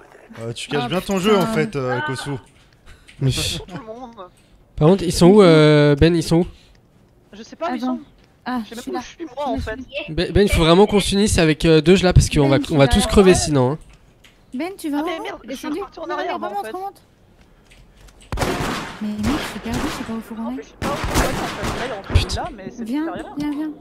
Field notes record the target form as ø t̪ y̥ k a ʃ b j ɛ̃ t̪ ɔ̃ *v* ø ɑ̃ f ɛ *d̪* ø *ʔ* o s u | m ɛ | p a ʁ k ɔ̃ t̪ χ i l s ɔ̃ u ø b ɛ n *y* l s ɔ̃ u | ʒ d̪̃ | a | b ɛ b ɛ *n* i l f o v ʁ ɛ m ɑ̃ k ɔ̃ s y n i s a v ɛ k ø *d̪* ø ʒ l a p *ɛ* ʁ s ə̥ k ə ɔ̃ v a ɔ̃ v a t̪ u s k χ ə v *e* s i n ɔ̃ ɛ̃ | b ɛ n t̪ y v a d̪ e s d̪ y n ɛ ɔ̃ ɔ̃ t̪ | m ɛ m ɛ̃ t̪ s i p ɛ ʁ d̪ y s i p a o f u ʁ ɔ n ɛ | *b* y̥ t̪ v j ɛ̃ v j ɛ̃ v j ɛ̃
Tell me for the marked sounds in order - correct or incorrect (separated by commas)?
incorrect, incorrect, incorrect, incorrect, correct, correct, incorrect, correct, incorrect